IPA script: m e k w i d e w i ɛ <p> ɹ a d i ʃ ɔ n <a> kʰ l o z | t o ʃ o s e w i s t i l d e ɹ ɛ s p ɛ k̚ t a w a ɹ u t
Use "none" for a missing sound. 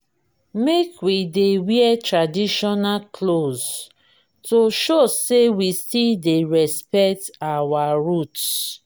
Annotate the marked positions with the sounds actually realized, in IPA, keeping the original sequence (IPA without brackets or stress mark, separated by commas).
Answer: t, a